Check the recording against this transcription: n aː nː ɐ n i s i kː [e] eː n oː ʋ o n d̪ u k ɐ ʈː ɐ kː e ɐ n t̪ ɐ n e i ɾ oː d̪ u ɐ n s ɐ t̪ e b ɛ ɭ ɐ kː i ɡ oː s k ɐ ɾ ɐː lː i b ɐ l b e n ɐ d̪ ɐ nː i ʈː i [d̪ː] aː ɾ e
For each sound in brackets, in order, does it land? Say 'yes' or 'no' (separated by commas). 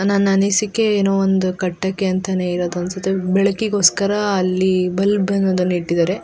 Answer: yes, no